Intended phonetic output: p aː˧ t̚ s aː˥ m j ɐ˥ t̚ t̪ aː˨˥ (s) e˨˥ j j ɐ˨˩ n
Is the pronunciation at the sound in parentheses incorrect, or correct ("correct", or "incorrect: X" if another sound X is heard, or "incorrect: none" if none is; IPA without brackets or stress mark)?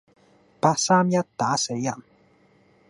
correct